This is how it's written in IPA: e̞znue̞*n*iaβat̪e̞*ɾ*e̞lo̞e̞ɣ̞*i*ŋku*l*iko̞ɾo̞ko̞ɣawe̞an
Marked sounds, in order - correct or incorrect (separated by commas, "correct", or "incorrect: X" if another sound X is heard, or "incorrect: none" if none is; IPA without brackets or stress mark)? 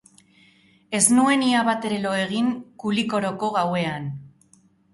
correct, correct, correct, correct